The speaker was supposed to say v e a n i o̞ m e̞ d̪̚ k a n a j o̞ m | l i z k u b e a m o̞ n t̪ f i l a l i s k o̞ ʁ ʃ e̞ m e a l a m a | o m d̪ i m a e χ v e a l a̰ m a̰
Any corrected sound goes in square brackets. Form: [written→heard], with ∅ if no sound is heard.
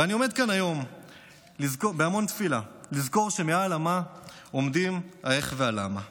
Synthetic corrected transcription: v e a n i o̞ m e̞ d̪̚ k a n a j o̞ m | l i z k [u→o] b e a m o̞ n t̪ f i l a l i [s→z] k o̞ ʁ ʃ e̞ m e a l a m a | o m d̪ i m a e χ v e a l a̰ m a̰